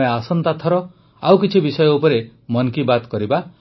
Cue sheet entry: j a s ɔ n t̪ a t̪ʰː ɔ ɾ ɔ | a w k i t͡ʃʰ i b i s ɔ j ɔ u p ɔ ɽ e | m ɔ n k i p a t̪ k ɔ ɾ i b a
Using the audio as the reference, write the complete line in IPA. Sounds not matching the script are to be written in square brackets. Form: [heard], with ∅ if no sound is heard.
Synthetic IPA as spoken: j a s ɔ n t̪ a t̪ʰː ɔ ɾ ɔ | a w k i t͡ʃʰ i b i s ɔ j ɔ u p ɔ [ɾ] e | m ɔ n k i [b] a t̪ k ɔ ɾ i b a

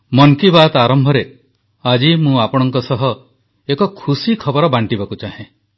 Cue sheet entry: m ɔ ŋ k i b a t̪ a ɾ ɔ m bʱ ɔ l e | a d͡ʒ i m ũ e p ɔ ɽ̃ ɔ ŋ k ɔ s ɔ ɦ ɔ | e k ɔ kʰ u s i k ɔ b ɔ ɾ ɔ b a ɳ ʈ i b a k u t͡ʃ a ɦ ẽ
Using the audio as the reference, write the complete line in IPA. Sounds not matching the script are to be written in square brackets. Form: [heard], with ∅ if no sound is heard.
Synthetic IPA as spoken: m ɔ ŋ k i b a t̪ a ɾ ɔ m bʱ ɔ [ɾ] e | a d͡ʒ i m ũ [a] p ɔ ɽ̃ ɔ ŋ k ɔ s ɔ ɦ ɔ | e k ɔ kʰ u s i [kʰ] ɔ b ɔ ɾ ɔ b a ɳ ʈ i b a k u t͡ʃ a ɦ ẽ

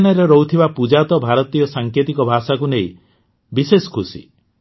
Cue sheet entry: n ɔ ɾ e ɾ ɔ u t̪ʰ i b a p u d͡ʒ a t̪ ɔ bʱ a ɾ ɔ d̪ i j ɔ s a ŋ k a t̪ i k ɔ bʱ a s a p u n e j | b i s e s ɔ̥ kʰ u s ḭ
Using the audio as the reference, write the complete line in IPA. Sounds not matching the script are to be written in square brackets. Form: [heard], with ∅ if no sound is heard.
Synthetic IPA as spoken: n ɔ ɾ e ɾ ɔ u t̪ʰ i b a p u d͡ʒ a t̪ ɔ bʱ a ɾ ɔ [t̪] i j ɔ s a ŋ k [e] t̪ i k ɔ bʱ a s a [k] u n e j | b i s e s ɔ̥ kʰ u s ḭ

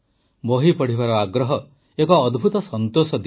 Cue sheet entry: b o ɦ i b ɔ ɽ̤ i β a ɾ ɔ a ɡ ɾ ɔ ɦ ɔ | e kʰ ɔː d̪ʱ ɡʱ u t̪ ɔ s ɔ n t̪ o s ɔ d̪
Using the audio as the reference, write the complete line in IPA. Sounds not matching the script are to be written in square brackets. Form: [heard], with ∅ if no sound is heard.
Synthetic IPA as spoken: b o ɦ i [p] ɔ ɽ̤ i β a ɾ ɔ a ɡ ɾ ɔ ɦ ɔ | e [k] ɔː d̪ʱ [bʱ] u t̪ ɔ s ɔ n t̪ o s ɔ d̪

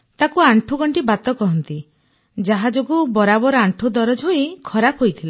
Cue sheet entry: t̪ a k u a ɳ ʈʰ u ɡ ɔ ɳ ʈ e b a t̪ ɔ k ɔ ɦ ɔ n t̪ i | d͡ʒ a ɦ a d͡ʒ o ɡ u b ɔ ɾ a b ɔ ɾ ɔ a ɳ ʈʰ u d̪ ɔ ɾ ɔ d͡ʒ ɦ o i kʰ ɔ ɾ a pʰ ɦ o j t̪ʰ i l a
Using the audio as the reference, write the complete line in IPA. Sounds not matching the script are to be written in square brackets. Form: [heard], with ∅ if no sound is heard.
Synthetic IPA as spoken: t̪ a k u a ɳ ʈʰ u ɡ ɔ ɳ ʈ [i] b a t̪ ɔ k ɔ ɦ ɔ n t̪ i | d͡ʒ a ɦ a d͡ʒ o ɡ u b ɔ ɾ a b ɔ ɾ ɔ a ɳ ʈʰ u d̪ ɔ ɾ ɔ d͡ʒ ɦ o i kʰ ɔ ɾ a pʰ ɦ o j t̪ʰ i l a

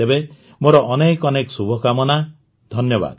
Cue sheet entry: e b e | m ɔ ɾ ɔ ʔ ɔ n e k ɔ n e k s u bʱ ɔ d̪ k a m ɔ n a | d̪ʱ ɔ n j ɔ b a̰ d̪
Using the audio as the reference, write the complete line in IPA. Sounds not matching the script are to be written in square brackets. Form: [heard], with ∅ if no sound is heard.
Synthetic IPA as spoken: e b e | m [o] ɾ ɔ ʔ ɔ n e k ɔ n e k s u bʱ ɔ [∅] k a m ɔ n a | d̪ʱ ɔ n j ɔ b a̰ d̪

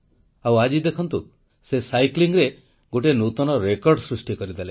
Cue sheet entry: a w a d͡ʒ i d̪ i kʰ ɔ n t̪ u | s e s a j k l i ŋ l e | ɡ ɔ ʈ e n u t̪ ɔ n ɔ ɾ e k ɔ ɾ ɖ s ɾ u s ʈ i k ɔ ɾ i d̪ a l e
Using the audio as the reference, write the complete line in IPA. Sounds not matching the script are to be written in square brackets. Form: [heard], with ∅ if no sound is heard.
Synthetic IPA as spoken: a w a d͡ʒ i d̪ [e] kʰ ɔ n t̪ u | s e s a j k l i ŋ [ɾ] e | ɡ [o] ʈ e n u t̪ ɔ n ɔ ɾ e k ɔ ɾ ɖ s ɾ u s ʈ i k ɔ ɾ i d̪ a l e

